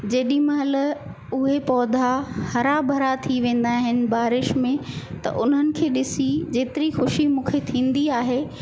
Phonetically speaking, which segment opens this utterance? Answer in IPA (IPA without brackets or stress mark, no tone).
d͡ʑ